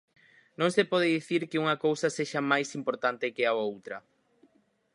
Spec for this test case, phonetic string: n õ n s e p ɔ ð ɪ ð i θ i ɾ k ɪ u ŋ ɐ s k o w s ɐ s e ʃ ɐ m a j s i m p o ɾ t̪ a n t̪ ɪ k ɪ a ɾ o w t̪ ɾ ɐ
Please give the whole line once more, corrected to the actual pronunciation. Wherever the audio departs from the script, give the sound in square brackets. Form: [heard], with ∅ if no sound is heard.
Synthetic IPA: n õ [ŋ] s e p ɔ ð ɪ ð i θ i ɾ k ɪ u ŋ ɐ [∅] k o w s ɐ s e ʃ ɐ m a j s i m p o ɾ t̪ a n t̪ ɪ k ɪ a [∅] o w t̪ ɾ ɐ